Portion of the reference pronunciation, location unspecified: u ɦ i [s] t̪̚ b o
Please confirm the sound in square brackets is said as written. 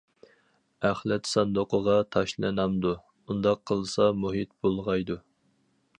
no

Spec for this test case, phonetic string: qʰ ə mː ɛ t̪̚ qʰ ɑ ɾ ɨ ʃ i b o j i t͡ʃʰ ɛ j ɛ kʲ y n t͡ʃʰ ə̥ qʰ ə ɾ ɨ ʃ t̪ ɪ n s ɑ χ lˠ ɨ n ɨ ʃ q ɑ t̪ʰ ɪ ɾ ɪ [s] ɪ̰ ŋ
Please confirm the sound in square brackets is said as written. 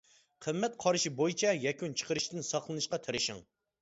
no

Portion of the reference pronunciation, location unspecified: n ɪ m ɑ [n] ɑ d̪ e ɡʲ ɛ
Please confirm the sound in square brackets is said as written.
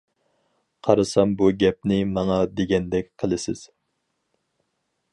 no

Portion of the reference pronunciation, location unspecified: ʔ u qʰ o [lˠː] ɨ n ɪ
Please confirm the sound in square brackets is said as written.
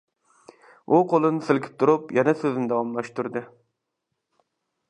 no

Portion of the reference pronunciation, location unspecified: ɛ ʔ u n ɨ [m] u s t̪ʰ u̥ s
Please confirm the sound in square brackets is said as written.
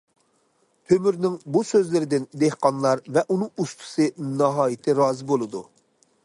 no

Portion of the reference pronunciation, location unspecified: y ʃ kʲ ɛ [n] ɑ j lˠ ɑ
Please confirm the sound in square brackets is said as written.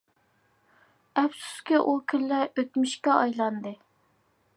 no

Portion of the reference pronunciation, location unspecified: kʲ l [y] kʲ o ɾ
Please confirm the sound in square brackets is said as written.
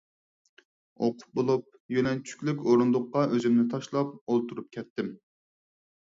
yes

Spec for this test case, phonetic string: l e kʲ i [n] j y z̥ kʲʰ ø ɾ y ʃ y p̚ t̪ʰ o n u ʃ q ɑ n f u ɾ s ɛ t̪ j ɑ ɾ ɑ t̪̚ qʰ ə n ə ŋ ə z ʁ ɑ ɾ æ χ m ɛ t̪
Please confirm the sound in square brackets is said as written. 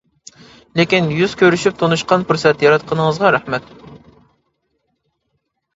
yes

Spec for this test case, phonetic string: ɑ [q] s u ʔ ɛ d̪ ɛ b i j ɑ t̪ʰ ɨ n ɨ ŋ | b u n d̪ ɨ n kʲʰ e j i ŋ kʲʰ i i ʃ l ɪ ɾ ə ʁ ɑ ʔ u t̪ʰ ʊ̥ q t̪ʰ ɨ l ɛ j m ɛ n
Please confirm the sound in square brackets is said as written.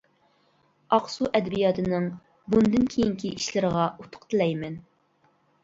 yes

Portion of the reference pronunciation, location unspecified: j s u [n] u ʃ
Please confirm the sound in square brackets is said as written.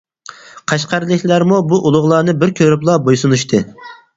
yes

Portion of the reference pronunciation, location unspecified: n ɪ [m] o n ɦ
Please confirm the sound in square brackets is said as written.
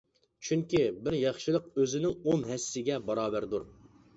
no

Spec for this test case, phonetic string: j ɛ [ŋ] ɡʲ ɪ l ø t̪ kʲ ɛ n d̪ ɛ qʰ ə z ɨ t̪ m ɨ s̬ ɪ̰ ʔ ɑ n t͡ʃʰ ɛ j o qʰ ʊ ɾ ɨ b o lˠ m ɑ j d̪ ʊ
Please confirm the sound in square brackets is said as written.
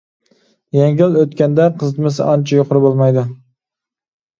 yes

